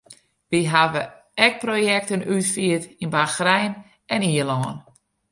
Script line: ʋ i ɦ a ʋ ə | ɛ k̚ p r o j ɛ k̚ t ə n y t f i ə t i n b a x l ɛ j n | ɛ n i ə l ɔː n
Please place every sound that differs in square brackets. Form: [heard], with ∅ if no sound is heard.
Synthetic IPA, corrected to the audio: ʋ i ɦ a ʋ ə | ɛ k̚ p r o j ɛ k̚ t ə n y t f i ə t i n b a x [r] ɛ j n | ɛ n i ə l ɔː n